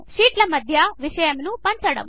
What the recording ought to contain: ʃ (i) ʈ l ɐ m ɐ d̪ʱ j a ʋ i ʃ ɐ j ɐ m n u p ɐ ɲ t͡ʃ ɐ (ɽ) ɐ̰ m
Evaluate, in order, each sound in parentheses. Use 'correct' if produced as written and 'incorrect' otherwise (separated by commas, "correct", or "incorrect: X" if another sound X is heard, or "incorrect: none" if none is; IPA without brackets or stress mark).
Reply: incorrect: iː, correct